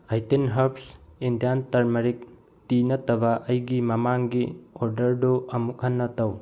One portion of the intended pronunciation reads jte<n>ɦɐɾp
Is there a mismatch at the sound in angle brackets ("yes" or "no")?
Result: no